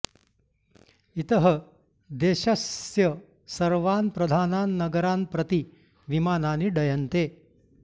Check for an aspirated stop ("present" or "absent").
absent